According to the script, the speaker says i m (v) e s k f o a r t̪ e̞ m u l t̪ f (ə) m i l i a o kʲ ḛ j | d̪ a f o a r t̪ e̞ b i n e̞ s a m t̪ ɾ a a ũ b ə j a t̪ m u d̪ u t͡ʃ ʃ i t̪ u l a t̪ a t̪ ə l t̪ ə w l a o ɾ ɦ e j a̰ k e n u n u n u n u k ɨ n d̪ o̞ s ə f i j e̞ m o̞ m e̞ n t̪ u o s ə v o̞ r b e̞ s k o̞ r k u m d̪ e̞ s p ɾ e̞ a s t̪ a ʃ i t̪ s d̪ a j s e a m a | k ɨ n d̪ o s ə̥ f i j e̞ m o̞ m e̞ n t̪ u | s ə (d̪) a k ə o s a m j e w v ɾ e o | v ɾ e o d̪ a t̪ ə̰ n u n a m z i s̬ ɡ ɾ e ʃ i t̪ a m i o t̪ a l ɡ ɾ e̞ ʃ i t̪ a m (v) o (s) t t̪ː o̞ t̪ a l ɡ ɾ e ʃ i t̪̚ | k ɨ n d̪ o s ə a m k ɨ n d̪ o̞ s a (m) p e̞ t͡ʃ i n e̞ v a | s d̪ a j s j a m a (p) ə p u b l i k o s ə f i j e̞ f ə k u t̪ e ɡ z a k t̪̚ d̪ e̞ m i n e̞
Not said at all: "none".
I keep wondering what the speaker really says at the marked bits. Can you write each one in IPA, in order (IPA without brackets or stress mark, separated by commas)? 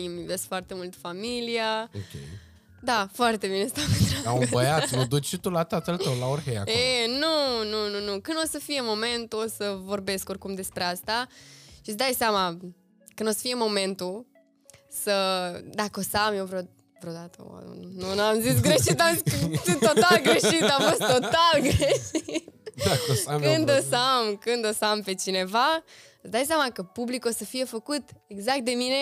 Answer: v, a, d̪, f, s, m, k